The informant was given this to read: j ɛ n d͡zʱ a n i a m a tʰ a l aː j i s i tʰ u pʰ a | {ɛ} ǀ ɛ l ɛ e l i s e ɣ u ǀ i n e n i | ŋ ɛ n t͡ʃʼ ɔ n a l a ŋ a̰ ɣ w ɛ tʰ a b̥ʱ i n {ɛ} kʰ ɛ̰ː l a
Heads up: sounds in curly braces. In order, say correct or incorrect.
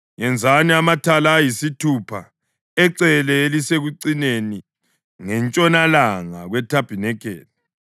correct, correct

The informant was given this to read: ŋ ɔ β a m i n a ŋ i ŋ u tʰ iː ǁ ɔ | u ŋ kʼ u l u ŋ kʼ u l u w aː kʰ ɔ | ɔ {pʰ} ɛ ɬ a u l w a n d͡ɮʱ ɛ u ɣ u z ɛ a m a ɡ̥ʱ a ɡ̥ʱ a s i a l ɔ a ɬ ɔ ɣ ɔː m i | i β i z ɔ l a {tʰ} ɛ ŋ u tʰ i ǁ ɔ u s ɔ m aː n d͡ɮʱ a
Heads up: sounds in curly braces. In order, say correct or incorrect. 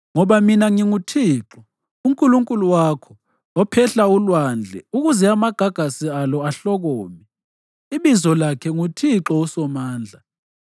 correct, incorrect: kʰ

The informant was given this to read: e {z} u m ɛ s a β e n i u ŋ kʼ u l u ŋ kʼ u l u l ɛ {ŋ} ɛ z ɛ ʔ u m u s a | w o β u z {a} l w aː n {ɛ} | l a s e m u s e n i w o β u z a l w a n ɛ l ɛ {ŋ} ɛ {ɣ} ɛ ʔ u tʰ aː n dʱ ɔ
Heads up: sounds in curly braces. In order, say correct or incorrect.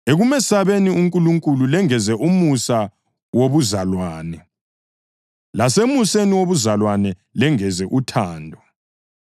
incorrect: ɣ, correct, correct, correct, correct, incorrect: z

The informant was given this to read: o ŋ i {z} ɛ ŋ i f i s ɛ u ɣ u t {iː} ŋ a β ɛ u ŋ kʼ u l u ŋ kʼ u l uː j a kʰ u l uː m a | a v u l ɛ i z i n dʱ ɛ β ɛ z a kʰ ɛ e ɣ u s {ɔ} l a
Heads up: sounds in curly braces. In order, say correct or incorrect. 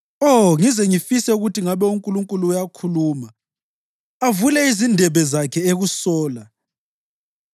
correct, incorrect: i, incorrect: ɔː

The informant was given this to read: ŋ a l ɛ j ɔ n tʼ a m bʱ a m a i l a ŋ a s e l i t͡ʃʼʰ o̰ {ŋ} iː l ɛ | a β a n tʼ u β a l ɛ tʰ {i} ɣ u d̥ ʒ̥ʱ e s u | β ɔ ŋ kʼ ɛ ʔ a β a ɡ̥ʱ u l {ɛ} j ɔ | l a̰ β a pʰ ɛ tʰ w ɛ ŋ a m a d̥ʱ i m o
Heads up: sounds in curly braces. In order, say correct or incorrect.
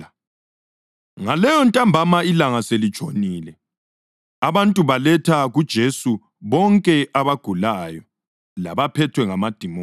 incorrect: n, incorrect: a, incorrect: a

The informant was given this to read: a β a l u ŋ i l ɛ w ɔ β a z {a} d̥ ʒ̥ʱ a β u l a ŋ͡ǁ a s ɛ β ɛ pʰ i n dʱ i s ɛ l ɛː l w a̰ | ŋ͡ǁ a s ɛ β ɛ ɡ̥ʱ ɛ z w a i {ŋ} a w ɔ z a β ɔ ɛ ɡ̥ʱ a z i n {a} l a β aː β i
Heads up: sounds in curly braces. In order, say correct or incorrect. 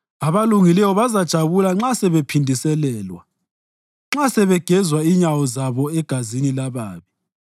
correct, incorrect: ɲ, incorrect: i

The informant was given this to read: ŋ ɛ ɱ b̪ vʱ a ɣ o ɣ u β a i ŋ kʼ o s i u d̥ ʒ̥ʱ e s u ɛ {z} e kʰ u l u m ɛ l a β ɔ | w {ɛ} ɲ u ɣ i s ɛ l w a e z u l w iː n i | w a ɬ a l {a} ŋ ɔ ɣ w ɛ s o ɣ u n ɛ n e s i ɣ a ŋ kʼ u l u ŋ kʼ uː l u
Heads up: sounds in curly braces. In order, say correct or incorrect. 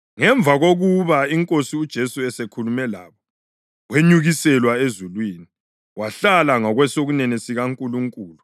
incorrect: s, incorrect: e, correct

